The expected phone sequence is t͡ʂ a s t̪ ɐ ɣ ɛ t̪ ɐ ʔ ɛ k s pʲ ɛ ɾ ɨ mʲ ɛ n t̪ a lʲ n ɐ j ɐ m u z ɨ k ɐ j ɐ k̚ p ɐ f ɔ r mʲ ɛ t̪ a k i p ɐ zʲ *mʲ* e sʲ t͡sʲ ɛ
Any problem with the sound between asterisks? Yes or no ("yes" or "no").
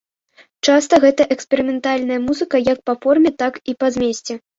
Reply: no